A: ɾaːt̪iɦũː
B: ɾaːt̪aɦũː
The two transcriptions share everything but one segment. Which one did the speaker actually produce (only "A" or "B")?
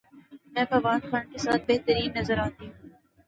A